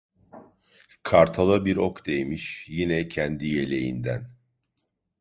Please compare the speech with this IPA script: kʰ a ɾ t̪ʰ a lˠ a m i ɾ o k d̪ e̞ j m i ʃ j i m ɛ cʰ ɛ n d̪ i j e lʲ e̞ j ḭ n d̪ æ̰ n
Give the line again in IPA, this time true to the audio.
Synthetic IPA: kʰ a ɾ t̪ʰ a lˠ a b i ɾ o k d̪ e̞ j m i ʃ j i n ɛ cʰ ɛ n d̪ i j e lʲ e̞ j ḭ n d̪ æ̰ n